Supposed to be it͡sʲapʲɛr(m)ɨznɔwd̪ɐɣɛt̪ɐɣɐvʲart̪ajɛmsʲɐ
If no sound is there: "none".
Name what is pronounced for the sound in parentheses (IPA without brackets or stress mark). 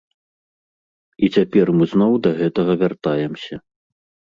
m